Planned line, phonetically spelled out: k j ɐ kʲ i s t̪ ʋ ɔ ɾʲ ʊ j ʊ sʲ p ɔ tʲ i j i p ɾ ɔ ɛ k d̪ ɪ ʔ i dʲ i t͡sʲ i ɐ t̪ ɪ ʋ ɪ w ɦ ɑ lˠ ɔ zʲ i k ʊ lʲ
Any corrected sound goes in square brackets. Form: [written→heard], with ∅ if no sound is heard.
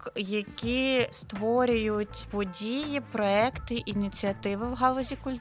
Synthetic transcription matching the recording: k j ɐ kʲ i s t̪ ʋ ɔ ɾʲ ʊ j ʊ [sʲ→tʲ] p ɔ [tʲ→dʲ] i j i p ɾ ɔ ɛ k [d̪→t̪] ɪ ʔ i [dʲ→nʲ] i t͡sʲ i ɐ t̪ ɪ ʋ ɪ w ɦ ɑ lˠ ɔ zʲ i k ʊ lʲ